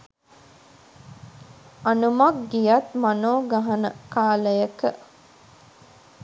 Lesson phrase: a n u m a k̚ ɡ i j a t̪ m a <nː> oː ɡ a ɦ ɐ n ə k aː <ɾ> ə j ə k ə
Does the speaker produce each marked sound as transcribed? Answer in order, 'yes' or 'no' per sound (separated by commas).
no, no